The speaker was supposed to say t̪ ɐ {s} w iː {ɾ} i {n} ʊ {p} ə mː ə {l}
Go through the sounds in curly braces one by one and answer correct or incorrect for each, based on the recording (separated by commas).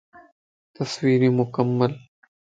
correct, correct, incorrect, incorrect, correct